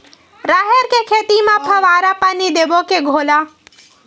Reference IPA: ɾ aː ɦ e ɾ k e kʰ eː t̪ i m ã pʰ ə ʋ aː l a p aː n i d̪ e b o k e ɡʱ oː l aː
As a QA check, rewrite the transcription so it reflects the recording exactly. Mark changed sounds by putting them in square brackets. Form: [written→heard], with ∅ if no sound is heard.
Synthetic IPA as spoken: ɾ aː ɦ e ɾ k e kʰ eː t̪ i m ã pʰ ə ʋ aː [l→ɾ] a p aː n i d̪ e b o k e ɡʱ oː l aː